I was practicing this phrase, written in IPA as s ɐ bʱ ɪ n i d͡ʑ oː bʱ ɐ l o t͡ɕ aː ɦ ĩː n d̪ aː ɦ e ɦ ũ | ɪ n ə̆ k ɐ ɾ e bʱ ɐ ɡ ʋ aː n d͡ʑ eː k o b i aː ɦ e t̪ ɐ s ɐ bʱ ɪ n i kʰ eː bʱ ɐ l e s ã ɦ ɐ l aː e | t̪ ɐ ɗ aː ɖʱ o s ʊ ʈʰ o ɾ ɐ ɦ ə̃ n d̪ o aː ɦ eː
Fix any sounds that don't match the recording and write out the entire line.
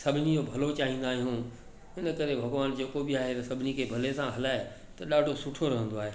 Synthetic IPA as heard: s ɐ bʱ ɪ n i d͡ʑ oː bʱ ɐ l o t͡ɕ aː ɦ ĩː n d̪ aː ɦ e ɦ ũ | ɪ n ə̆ k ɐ ɾ e bʱ ɐ ɡ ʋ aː n d͡ʑ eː k o b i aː ɦ e t̪ ɐ s ɐ bʱ ɪ n i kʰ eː bʱ ɐ l e s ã ɦ ɐ l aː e | t̪ ɐ ɗ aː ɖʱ o s ʊ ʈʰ o ɾ ɐ ɦ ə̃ n d̪ o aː ɦ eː